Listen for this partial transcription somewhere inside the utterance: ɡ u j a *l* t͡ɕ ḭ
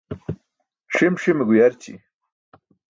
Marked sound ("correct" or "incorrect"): incorrect